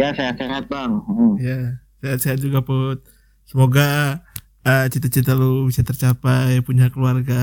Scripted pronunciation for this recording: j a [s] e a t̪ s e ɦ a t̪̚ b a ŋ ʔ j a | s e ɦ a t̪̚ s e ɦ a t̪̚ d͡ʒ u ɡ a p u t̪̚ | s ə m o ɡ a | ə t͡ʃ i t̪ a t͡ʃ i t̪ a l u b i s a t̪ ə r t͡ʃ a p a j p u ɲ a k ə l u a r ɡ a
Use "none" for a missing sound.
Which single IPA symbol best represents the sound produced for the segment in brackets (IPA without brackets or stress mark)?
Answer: s